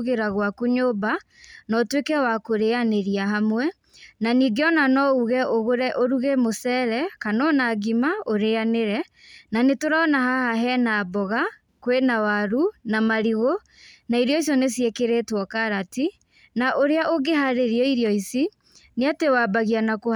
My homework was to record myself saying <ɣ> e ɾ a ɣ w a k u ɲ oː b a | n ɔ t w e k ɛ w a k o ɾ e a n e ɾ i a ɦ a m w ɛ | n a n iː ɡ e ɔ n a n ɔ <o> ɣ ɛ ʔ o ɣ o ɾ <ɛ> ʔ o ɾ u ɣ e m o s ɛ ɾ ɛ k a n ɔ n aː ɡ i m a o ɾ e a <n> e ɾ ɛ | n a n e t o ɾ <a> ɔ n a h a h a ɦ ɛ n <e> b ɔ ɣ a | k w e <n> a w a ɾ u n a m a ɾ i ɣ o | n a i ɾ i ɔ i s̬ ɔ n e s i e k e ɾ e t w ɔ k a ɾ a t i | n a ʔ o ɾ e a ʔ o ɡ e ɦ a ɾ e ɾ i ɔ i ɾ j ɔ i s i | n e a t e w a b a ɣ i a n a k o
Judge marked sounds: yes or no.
yes, no, yes, yes, yes, no, yes

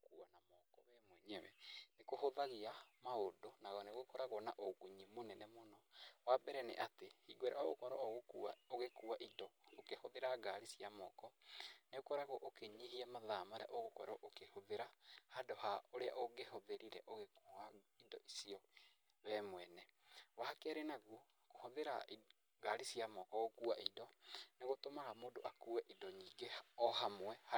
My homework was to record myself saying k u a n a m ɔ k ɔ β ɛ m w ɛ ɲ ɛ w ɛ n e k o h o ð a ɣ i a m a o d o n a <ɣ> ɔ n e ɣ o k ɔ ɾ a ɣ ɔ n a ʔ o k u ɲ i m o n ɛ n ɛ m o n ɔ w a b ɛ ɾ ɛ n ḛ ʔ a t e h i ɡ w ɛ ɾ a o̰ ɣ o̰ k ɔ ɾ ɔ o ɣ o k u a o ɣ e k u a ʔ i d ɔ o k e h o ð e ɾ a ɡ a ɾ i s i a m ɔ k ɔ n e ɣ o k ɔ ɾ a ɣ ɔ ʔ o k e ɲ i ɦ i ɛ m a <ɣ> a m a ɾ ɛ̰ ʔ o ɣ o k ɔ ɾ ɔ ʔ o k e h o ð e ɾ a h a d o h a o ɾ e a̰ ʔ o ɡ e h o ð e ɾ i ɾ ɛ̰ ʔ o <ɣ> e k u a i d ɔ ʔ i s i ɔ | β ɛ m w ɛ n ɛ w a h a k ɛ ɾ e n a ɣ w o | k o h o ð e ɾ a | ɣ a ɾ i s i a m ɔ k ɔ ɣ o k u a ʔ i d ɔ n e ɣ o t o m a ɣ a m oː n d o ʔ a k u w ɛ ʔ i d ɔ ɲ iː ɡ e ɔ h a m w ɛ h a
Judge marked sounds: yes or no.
yes, no, yes

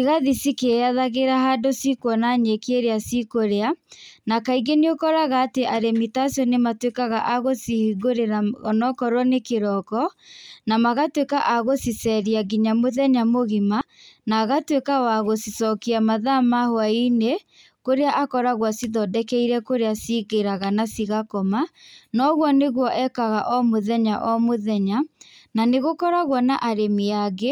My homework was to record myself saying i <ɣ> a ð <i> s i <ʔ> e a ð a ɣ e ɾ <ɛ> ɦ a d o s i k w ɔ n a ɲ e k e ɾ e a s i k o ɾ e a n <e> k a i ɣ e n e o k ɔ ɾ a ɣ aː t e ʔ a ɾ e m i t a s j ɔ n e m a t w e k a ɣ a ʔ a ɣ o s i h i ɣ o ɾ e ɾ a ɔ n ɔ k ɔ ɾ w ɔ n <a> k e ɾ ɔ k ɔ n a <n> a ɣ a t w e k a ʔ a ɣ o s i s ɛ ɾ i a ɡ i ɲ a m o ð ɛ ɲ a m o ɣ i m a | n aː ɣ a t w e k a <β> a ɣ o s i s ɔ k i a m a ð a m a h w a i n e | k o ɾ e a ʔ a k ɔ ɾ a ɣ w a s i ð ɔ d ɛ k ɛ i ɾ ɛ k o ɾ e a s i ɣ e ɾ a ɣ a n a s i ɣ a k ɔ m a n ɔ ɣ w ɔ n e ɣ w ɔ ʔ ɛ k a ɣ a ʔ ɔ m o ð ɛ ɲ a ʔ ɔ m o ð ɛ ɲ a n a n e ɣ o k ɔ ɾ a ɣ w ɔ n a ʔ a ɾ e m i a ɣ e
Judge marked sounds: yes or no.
yes, yes, no, no, no, no, no, no

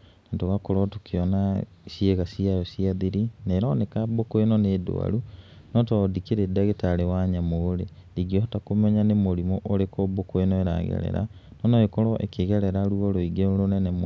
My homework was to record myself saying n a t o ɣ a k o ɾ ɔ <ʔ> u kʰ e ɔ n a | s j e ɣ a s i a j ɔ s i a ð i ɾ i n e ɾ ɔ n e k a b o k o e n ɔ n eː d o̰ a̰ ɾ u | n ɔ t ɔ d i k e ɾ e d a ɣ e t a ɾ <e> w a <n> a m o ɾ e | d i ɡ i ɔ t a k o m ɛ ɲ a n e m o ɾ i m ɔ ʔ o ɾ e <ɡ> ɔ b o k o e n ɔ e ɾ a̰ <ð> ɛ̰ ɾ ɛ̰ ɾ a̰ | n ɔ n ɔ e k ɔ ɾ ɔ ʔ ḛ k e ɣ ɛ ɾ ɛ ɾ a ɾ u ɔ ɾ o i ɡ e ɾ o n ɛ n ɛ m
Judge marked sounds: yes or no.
no, yes, no, no, no

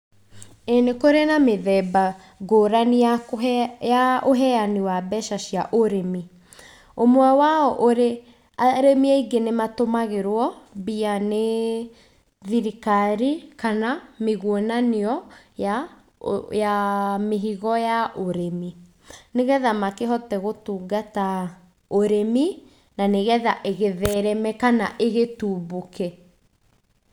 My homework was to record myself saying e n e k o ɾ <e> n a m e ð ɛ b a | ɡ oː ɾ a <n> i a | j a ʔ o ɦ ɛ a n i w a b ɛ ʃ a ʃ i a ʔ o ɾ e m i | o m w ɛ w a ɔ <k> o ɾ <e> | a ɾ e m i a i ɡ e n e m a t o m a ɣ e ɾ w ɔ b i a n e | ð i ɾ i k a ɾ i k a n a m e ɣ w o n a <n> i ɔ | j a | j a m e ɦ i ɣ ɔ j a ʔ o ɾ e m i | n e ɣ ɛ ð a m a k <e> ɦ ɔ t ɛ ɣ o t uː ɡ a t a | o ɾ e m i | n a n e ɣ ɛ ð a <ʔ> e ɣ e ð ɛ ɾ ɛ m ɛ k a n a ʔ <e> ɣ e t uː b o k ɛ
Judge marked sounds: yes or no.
yes, yes, no, yes, yes, yes, yes, yes

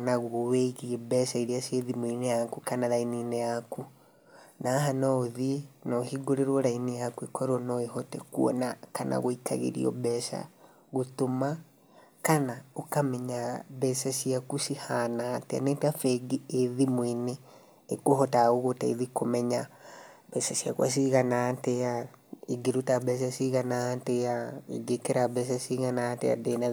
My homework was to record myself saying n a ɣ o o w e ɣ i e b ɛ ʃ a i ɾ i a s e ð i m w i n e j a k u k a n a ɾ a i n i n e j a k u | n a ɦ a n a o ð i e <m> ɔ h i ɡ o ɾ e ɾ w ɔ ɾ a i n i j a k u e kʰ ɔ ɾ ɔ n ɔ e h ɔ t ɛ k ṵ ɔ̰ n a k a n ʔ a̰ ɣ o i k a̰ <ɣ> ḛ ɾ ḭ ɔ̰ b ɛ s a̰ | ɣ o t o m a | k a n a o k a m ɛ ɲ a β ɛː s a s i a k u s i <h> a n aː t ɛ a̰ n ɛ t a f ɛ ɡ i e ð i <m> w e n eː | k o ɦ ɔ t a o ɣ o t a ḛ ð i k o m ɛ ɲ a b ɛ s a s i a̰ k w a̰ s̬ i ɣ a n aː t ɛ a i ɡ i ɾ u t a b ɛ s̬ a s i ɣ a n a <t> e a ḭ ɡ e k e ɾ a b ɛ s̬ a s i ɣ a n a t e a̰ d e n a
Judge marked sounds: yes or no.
no, yes, yes, yes, yes

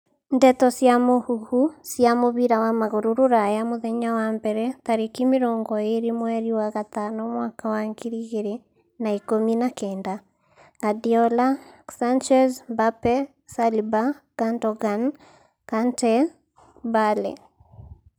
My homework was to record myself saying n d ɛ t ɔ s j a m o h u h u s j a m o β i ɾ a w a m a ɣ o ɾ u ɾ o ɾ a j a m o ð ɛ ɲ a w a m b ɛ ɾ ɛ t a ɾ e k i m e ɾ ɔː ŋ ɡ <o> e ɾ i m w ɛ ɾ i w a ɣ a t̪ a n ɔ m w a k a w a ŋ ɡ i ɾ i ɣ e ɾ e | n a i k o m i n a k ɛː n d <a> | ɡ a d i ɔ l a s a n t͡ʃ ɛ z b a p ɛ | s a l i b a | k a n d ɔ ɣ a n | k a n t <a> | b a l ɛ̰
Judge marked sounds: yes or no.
no, yes, no

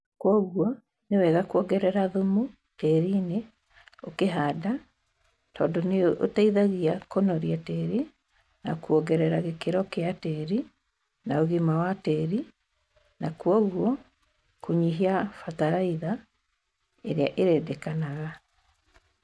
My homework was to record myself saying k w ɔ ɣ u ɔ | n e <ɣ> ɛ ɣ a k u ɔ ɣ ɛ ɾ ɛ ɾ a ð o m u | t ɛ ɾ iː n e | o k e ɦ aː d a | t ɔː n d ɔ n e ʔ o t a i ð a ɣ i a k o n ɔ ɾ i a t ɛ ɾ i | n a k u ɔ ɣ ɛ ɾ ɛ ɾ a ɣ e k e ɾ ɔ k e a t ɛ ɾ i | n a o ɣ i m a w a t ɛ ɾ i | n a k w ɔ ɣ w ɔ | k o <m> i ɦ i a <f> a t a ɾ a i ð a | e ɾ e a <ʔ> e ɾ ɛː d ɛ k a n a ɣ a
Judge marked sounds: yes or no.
no, no, yes, yes

